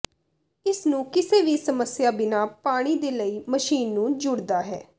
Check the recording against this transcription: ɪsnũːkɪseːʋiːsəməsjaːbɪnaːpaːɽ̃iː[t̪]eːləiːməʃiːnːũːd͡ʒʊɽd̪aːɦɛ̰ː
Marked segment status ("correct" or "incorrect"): incorrect